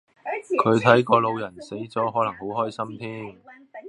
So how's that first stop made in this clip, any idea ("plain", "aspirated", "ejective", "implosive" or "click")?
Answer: aspirated